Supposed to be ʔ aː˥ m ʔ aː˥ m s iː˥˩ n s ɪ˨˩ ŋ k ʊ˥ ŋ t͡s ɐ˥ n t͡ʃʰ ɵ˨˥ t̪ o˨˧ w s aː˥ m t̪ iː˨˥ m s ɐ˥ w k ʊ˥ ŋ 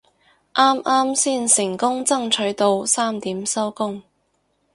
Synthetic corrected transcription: ʔ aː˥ m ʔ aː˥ m s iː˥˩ n s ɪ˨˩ ŋ k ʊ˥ ŋ t͡s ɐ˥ ŋ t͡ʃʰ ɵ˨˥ t̪ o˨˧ w s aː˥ m t̪ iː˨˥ m s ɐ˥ w k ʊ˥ ŋ